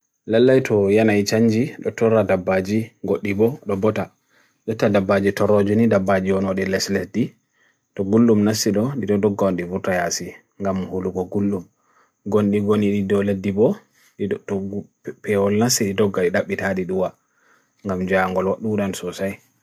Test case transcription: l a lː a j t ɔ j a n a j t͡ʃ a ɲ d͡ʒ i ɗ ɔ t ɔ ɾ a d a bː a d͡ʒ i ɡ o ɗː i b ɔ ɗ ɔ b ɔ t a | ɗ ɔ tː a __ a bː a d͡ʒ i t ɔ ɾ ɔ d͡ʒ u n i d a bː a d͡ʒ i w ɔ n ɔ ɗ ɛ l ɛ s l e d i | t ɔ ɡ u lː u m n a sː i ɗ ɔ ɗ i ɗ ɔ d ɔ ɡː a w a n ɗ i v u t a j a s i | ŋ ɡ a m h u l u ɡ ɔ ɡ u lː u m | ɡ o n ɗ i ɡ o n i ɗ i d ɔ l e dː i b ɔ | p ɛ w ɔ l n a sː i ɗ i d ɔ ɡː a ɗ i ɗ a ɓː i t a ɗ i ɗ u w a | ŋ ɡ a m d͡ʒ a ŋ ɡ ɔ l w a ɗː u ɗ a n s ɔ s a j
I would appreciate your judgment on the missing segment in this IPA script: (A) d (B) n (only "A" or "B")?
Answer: A